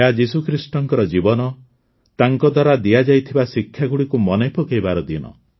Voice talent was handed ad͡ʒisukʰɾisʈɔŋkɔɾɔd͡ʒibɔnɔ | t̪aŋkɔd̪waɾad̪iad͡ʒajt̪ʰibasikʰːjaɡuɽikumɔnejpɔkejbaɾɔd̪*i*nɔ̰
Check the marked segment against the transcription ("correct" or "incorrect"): correct